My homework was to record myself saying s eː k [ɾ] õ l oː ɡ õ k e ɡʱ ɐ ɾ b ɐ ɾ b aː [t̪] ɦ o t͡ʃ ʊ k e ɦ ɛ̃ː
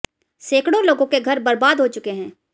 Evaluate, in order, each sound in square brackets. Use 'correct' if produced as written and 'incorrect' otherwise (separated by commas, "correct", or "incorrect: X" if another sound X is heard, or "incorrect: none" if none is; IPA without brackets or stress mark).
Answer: incorrect: ɽ, incorrect: d̪